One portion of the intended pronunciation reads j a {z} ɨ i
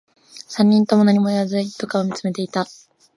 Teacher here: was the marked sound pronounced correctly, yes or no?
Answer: yes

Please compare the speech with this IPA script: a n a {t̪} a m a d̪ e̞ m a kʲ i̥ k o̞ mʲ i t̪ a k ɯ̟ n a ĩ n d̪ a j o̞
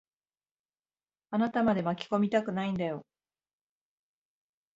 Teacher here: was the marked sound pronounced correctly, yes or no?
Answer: yes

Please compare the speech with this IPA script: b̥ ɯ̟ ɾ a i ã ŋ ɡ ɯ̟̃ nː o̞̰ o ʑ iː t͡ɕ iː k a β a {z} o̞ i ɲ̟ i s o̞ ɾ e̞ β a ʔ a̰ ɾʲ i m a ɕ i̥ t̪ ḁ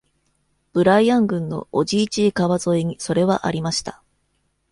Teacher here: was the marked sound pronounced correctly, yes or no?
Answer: yes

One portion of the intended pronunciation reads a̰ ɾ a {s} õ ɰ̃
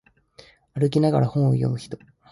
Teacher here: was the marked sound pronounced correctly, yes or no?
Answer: no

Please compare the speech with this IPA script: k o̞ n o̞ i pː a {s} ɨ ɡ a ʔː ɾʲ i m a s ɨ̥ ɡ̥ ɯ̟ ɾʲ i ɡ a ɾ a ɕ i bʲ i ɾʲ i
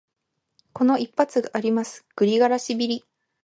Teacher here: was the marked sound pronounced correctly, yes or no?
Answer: no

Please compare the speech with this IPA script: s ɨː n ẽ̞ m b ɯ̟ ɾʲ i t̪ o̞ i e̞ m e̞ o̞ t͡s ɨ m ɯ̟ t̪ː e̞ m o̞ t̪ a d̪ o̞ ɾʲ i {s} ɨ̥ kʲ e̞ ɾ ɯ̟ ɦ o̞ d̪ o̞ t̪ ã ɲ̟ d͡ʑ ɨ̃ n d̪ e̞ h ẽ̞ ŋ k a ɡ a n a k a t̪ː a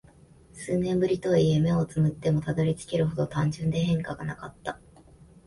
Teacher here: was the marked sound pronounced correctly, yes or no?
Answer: no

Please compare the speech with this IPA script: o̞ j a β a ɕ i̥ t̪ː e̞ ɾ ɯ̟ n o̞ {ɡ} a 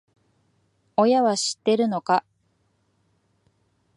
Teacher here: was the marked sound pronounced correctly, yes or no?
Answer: no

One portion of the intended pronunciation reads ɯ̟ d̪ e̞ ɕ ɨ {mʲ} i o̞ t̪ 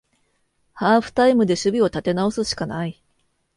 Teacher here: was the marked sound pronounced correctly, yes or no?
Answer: no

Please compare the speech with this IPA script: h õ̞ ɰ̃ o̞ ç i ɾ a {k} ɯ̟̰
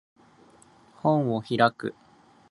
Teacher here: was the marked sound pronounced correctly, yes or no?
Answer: yes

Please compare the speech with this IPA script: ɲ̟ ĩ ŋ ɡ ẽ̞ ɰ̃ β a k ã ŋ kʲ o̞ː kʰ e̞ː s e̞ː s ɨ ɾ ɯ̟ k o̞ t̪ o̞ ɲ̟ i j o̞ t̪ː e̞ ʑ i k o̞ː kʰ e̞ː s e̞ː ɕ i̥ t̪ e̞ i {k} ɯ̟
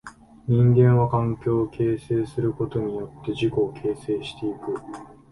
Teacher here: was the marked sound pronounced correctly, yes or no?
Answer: yes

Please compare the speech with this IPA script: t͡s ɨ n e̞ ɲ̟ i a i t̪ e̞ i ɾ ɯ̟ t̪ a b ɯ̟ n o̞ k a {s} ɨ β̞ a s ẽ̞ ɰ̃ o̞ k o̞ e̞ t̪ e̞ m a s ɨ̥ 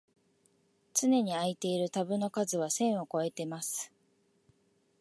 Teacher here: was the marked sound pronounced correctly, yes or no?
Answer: no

